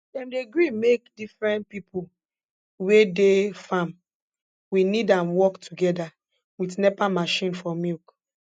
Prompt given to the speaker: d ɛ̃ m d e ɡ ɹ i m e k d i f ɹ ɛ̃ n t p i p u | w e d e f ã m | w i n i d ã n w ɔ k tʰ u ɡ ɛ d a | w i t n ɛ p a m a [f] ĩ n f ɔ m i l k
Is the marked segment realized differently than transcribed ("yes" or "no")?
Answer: yes